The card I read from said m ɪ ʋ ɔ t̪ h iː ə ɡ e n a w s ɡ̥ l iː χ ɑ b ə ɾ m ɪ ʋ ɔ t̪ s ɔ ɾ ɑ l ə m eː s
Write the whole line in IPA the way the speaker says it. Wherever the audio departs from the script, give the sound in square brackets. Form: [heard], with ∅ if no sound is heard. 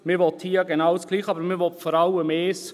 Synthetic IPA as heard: m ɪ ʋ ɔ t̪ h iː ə ɡ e n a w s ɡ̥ l iː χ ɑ b ə ɾ m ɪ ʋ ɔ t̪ [f] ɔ ɾ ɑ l ə m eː s